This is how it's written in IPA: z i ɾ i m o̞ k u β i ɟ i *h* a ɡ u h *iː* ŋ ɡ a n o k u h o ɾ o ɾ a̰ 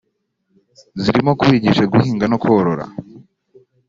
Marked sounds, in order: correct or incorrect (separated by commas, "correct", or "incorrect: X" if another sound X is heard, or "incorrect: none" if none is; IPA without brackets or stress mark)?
incorrect: ʃ, correct